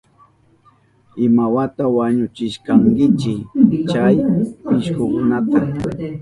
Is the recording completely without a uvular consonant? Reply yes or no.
yes